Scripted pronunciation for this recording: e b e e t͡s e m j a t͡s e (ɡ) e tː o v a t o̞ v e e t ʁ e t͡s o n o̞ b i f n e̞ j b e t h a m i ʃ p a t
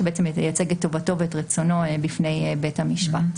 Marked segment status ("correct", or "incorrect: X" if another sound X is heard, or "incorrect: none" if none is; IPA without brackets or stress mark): correct